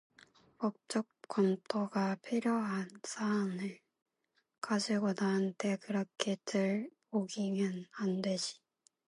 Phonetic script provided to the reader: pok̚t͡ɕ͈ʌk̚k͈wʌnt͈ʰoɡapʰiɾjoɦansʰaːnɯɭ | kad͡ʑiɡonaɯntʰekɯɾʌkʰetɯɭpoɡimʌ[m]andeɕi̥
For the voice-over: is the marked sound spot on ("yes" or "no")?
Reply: no